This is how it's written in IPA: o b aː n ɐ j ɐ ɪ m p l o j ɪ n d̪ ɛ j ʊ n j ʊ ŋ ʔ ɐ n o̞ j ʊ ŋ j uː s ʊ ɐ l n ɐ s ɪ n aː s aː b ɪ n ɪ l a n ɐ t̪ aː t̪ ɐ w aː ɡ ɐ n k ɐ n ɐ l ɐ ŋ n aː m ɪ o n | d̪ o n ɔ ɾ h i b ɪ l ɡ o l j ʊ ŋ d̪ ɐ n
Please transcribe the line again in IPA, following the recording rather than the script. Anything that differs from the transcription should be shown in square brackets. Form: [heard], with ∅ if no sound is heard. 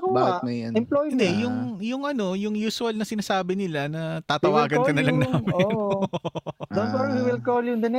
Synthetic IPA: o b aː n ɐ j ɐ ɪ m p l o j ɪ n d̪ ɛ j ʊ [ŋ] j ʊ ŋ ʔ ɐ n o̞ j ʊ ŋ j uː s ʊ ɐ l n ɐ s ɪ n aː s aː b ɪ n ɪ l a n ɐ t̪ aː t̪ ɐ w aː ɡ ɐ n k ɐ n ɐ l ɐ ŋ n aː m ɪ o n | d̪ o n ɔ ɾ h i [w] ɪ l [k] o l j ʊ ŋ d̪ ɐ n